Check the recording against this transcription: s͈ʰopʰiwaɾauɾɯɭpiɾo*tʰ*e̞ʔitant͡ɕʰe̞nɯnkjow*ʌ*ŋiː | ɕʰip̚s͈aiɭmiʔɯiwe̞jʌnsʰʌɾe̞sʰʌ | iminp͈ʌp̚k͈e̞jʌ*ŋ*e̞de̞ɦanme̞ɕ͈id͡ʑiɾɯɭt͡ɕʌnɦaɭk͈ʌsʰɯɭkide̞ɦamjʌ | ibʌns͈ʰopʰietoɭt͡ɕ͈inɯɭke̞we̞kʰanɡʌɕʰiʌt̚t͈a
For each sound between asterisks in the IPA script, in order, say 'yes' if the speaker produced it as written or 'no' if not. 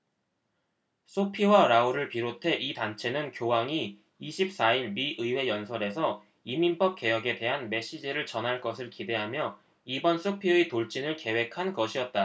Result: yes, no, no

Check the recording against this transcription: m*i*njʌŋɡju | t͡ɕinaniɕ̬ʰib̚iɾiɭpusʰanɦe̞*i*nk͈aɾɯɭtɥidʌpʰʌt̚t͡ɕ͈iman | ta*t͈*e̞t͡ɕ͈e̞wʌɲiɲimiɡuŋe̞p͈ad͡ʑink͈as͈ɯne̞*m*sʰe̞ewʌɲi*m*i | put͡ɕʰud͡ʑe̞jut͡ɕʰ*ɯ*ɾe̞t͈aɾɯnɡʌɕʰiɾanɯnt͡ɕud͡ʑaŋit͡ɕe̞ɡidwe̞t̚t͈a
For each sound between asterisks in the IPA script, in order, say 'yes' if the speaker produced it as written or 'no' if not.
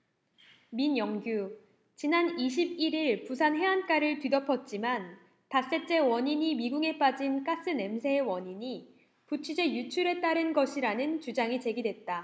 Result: yes, no, no, yes, no, no

